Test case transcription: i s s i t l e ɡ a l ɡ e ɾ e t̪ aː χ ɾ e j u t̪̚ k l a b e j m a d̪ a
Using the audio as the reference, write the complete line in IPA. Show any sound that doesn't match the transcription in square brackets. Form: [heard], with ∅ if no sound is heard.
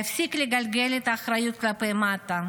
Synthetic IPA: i [f] s i [k] l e ɡ a l ɡ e [l] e t̪ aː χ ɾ [a] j u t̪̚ k l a [p] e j m a [t̪] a